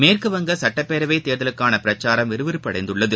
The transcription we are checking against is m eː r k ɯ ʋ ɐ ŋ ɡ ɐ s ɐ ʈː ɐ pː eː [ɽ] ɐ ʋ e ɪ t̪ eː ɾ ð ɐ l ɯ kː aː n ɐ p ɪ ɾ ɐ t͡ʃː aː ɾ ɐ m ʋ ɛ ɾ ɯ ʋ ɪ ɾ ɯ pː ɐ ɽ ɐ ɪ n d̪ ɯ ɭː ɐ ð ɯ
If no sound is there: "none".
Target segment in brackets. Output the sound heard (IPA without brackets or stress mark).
ɾ